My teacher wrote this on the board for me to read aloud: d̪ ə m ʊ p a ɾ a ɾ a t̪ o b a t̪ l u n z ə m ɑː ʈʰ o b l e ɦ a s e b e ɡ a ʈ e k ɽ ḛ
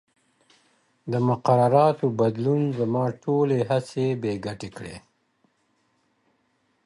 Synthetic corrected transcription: d̪ ə m ʊ q a ɾ a ɾ ɑ t̪ o b a d̪ l u n z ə m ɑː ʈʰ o l e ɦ a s e b e ɡ a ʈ e k ɽ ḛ